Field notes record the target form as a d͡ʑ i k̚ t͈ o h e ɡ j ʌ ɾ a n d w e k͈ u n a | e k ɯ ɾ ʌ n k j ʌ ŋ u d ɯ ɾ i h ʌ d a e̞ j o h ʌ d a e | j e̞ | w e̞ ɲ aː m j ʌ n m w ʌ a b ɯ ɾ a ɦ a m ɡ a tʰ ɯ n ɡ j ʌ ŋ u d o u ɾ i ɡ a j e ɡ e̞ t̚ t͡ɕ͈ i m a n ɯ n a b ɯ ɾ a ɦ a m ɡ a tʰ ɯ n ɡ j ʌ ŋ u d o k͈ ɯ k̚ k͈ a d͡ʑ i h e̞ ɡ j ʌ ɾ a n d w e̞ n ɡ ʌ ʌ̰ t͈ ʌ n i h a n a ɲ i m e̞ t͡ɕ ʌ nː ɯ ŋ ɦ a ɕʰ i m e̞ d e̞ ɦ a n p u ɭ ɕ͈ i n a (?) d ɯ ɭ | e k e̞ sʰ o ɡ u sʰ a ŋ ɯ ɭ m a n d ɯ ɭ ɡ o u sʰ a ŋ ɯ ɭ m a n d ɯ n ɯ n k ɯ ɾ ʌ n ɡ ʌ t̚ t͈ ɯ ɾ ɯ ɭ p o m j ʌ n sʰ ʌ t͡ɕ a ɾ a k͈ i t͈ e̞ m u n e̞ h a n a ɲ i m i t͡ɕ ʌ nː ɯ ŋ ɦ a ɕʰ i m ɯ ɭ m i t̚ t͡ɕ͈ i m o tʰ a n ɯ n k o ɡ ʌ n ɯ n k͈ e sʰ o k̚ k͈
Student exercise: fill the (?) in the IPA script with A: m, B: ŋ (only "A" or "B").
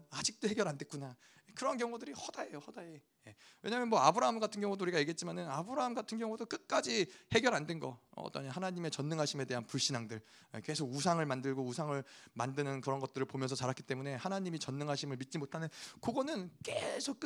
B